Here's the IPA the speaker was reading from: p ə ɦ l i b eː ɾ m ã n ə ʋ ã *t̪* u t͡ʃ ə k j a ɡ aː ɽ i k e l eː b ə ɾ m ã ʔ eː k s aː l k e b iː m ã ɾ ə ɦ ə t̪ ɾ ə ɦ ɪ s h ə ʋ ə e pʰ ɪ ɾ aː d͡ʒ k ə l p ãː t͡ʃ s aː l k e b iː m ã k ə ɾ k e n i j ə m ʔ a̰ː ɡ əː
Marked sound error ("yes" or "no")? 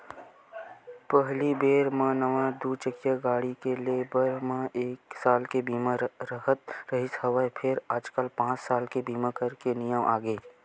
yes